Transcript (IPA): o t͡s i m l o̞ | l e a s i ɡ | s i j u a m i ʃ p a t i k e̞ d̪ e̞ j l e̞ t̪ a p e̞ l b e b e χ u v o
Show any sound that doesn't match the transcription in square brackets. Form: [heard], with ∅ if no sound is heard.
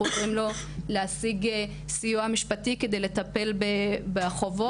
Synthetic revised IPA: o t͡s i m l o̞ | l e a s i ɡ | s i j u a m i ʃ p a t i k e̞ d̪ e̞ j l e̞ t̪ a p e̞ l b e b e χ [o] v o